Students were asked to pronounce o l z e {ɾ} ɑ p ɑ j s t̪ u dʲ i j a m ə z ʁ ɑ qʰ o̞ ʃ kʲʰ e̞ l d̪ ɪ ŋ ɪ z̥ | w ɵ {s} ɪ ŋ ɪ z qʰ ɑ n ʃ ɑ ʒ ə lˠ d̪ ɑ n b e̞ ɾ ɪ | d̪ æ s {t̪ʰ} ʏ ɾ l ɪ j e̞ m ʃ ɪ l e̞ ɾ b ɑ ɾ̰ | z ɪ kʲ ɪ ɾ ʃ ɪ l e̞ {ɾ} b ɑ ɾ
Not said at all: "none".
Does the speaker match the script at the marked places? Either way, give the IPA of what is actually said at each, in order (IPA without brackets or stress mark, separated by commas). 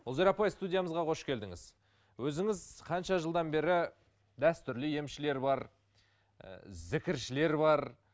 ɾ, z, t̪, ɾ